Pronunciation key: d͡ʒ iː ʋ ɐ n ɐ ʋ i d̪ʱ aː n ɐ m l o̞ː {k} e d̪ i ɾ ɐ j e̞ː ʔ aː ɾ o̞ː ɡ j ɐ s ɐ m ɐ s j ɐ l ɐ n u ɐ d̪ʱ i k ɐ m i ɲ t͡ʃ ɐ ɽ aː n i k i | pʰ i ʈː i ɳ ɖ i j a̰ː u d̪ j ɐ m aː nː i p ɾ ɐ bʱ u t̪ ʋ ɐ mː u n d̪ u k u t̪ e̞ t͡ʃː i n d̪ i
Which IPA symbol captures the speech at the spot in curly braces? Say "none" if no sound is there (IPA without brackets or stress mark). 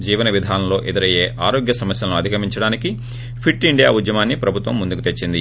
ʔ